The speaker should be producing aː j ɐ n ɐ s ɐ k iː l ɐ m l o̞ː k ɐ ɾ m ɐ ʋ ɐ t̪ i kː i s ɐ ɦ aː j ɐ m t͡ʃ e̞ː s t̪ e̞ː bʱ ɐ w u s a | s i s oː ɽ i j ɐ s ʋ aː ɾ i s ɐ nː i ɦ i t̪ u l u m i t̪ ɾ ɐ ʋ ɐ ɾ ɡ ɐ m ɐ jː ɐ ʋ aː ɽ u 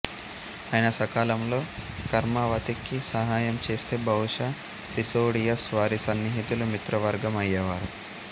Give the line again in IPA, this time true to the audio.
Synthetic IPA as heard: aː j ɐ n ɐ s ɐ k aː l ɐ m l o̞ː k ɐ ɾ m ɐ ʋ ɐ t̪ i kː i s ɐ ɦ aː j ɐ m t͡ʃ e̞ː s t̪ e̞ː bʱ ɐ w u ʂ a | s i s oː ɽ i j ɐ s ʋ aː ɾ i s ɐ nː i ɦ i t̪ u l u m i t̪ ɾ ɐ ʋ ɐ ɾ ɡ ɐ m ɐ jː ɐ ʋ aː ɾ u